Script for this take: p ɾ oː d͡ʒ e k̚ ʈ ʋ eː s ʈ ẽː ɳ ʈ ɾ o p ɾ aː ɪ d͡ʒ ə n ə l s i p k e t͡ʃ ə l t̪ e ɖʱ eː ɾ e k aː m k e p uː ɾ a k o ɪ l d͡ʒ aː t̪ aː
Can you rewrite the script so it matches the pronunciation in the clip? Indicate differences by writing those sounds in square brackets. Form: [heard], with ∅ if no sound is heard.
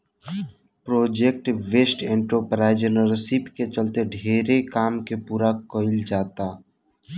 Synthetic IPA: p ɾ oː d͡ʒ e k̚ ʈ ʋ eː s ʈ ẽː ɳ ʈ ɾ o p ɾ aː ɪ d͡ʒ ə n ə [ɾ] s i p k e t͡ʃ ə l t̪ e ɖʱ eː ɾ e k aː m k e p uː ɾ a k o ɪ l d͡ʒ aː t̪ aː